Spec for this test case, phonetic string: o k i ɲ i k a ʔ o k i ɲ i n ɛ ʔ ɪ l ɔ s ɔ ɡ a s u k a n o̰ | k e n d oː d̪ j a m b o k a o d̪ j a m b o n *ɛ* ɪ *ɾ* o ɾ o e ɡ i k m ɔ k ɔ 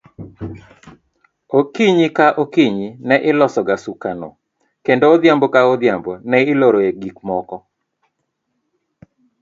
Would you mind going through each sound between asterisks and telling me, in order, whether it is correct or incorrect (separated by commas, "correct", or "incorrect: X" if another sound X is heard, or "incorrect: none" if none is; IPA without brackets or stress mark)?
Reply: correct, incorrect: l